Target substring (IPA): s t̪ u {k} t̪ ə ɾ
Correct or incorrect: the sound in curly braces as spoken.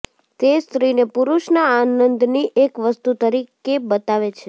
incorrect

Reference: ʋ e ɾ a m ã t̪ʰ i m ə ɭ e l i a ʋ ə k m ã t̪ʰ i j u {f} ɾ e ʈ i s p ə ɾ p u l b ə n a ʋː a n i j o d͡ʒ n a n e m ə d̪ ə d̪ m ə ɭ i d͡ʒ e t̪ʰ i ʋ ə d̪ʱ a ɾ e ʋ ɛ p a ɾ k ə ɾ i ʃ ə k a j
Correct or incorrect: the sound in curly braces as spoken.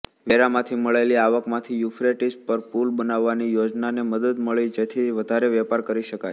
correct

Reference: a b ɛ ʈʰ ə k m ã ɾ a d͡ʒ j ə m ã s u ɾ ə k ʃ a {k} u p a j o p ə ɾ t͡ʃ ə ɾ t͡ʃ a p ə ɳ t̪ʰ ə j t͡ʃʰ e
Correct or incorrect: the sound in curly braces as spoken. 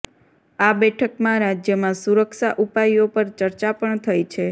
incorrect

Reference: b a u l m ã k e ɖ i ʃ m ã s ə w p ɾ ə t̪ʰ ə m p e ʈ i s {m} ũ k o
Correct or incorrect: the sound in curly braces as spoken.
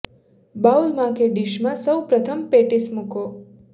correct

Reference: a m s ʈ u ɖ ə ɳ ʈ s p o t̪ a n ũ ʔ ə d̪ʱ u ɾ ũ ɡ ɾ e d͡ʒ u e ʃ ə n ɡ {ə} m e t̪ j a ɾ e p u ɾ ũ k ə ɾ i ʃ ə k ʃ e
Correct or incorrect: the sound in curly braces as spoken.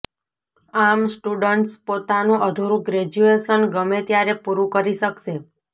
correct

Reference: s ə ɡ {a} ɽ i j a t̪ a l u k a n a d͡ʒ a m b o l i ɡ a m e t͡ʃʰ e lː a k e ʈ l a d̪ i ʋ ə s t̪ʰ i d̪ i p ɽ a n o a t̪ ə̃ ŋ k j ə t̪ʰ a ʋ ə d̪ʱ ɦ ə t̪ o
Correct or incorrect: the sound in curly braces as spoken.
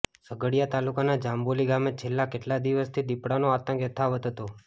incorrect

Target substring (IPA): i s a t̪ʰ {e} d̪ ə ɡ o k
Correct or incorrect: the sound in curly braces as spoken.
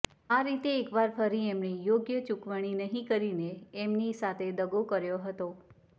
correct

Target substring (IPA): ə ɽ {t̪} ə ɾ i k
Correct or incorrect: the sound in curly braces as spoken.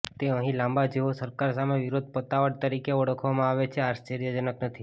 correct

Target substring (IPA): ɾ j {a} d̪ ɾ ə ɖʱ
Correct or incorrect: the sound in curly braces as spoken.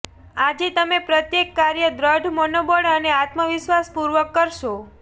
incorrect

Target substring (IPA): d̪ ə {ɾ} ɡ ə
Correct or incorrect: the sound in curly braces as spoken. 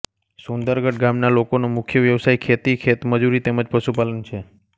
correct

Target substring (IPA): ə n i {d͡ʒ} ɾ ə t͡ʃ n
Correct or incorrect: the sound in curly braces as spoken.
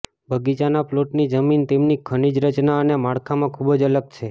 correct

